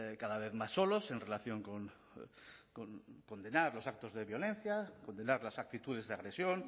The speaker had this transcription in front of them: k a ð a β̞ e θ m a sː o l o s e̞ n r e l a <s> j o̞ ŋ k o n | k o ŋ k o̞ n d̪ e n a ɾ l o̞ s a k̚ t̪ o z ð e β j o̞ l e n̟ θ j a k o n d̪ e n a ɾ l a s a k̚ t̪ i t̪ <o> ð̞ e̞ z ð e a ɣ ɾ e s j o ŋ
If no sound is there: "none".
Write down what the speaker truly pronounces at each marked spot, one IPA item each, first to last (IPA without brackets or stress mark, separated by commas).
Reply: θ, u